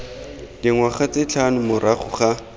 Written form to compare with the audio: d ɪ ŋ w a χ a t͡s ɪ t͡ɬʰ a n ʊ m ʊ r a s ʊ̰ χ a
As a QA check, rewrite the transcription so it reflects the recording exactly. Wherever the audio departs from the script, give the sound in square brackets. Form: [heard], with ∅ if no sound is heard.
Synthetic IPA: d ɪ ŋ w a χ a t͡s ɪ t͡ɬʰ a n ʊ m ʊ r a [χ] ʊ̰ χ a